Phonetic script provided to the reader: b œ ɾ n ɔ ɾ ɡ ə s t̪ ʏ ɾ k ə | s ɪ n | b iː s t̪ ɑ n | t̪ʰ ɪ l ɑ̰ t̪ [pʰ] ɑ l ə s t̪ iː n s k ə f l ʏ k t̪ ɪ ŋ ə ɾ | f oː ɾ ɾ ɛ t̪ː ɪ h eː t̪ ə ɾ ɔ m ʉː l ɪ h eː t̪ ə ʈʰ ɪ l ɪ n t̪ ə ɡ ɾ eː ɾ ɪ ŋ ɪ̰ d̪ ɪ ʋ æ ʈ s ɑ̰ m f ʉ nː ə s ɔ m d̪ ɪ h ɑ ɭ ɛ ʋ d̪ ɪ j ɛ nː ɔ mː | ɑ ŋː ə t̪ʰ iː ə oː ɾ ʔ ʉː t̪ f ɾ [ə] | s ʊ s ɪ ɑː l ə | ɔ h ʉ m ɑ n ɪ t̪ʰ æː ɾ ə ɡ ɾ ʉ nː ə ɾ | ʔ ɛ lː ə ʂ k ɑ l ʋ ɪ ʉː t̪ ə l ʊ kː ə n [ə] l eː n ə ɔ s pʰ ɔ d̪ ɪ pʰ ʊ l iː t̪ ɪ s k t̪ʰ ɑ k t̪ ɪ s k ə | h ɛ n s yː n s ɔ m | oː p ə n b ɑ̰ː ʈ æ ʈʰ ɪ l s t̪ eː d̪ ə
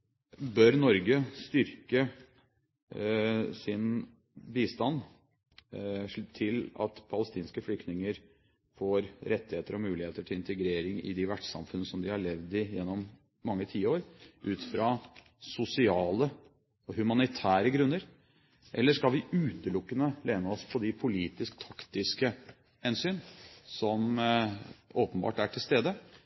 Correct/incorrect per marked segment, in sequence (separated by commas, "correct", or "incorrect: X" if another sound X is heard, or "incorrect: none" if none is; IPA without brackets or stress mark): correct, incorrect: ɑ, correct